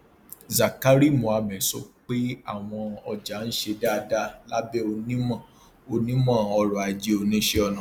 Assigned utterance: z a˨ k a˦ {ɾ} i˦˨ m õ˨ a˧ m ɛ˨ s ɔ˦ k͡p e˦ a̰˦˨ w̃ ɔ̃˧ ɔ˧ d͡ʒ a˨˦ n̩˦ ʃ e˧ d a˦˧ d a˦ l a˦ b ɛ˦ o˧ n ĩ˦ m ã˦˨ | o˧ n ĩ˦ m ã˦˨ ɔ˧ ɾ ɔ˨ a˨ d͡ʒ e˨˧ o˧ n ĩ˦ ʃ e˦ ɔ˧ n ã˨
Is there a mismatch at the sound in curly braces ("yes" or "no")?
no